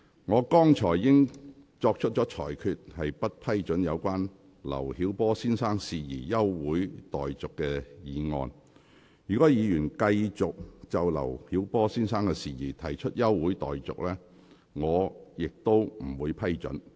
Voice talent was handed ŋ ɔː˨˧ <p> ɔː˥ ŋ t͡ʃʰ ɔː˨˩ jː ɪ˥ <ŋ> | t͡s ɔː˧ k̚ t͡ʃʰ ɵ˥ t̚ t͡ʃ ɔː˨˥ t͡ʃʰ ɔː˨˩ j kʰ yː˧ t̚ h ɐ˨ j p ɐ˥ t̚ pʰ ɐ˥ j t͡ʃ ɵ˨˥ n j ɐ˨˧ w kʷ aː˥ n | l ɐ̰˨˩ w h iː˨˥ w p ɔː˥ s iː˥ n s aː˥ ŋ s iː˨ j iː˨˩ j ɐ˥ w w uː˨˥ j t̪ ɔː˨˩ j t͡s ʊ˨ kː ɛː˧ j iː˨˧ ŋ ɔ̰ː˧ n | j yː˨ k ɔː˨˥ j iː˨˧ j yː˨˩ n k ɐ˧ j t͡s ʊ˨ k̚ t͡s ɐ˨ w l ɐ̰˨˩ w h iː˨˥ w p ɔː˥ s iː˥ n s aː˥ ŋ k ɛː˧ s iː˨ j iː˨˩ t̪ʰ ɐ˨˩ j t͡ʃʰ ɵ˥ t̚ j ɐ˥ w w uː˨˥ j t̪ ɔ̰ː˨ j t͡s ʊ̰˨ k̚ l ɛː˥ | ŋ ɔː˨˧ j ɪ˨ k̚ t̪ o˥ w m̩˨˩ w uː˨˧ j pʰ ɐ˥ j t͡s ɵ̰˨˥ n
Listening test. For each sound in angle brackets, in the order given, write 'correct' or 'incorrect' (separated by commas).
incorrect, correct